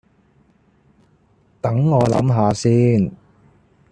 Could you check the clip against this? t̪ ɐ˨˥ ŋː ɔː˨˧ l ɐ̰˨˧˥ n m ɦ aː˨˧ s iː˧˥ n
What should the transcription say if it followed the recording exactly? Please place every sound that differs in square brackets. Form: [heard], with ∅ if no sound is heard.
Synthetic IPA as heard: t̪ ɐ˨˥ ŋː ɔː˨˧ l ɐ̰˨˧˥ [∅] m ɦ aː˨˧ s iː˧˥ n

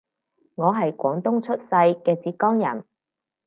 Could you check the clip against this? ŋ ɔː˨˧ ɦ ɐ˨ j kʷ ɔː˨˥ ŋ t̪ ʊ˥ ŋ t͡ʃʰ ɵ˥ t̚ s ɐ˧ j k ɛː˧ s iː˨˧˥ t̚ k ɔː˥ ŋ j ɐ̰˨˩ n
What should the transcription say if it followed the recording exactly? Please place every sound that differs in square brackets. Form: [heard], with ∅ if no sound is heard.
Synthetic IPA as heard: ŋ ɔː˨˧ ɦ ɐ˨ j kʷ ɔː˨˥ ŋ t̪ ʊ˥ ŋ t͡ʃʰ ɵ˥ t̚ s ɐ˧ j k ɛː˧ [t͡s] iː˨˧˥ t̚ k ɔː˥ ŋ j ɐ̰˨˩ n

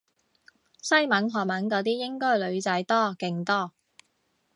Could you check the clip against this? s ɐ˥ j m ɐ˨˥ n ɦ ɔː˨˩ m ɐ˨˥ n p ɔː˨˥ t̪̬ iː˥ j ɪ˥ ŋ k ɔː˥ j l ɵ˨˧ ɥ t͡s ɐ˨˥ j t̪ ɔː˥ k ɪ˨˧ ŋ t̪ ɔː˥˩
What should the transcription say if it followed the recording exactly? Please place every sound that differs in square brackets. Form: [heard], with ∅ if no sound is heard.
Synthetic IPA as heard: s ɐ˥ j m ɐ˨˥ n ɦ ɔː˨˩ m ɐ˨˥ n [k] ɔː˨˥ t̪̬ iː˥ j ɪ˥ ŋ k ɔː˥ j l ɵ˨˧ ɥ t͡s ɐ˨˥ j t̪ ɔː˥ k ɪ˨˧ ŋ t̪ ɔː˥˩

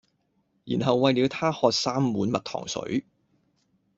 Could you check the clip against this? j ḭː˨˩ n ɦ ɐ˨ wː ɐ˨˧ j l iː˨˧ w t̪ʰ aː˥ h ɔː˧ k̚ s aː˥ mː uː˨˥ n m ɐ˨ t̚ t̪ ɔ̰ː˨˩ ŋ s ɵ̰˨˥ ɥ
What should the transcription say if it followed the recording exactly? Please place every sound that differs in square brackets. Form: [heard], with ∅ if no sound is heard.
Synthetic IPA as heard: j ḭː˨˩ n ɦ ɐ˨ wː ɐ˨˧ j l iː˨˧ w t̪ʰ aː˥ h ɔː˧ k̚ s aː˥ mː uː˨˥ n m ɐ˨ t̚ [t̪ʰ] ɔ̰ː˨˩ ŋ s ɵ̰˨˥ ɥ

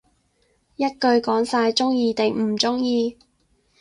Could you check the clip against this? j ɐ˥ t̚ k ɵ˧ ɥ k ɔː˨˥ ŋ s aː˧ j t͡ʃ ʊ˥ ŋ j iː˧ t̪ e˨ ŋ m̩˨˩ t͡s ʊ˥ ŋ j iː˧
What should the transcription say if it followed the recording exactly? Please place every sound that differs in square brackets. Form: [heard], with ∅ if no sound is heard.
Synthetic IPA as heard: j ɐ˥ t̚ k ɵ˧ ɥ k ɔː˨˥ ŋ s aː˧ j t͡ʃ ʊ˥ ŋ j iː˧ t̪ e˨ ŋ m̩˨˩ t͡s ʊ˥ ŋ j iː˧

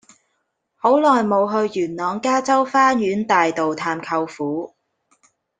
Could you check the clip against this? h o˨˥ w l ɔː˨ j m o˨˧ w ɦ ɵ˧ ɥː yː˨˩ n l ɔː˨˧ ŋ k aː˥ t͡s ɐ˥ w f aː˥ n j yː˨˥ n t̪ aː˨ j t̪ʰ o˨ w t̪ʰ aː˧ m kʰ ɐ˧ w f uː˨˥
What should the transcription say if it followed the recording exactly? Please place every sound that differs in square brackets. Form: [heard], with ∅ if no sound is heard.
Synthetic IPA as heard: h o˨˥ w l ɔː˨ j m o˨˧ w ɦ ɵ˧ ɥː yː˨˩ n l ɔː˨˧ ŋ k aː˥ t͡s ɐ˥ w f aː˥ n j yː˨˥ n t̪ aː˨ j [t̪] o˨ w t̪ʰ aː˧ m kʰ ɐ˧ w f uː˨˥

